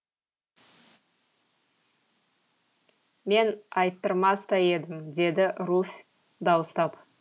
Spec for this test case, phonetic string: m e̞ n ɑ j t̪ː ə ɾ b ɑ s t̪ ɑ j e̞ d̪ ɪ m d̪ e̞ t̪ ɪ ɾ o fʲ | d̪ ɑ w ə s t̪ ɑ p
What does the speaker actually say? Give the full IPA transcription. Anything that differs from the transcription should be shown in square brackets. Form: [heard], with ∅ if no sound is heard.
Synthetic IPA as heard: m e̞ n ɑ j t̪ː ə ɾ [m] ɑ s t̪ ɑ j e̞ d̪ ɪ m d̪ e̞ [d̪] ɪ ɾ [u] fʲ | d̪ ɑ w ə s t̪ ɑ p